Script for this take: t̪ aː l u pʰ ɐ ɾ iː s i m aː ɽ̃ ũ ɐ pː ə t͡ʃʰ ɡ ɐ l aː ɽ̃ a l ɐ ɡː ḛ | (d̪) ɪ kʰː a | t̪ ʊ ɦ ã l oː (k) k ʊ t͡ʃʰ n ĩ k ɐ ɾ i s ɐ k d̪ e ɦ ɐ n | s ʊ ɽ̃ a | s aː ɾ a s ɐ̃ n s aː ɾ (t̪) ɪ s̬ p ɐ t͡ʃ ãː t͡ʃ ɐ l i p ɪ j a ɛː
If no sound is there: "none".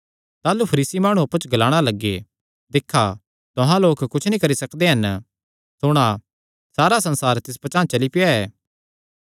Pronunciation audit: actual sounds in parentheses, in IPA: d̪, k, t̪

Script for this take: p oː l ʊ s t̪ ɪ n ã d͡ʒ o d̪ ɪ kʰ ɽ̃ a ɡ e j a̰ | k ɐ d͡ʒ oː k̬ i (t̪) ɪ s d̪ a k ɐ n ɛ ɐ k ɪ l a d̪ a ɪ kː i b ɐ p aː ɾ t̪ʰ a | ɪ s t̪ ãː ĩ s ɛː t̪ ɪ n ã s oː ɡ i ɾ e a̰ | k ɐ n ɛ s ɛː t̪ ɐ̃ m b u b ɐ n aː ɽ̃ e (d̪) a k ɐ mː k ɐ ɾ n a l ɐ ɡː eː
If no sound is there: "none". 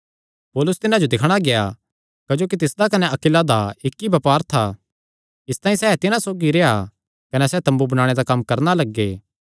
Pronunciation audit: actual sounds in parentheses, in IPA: t̪, d̪

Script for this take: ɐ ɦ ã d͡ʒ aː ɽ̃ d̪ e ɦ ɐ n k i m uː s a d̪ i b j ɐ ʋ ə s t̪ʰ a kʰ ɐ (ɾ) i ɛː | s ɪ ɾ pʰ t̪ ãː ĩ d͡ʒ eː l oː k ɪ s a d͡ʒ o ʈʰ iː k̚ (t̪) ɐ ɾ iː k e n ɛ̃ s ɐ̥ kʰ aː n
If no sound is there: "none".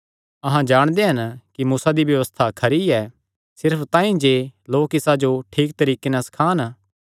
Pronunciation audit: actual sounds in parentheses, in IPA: ɾ, t̪

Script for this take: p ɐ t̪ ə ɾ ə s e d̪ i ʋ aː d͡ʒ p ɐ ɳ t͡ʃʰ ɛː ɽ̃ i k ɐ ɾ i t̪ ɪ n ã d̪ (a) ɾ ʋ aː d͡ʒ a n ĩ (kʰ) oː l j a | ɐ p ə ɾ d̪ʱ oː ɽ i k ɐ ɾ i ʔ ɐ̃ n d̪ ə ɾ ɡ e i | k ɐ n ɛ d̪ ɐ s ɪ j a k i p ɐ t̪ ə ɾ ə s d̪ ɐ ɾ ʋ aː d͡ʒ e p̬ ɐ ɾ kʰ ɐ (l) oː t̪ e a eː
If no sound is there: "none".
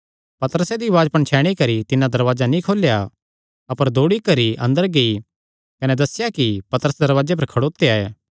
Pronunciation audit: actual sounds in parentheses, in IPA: ɐ, kʰ, ɽ

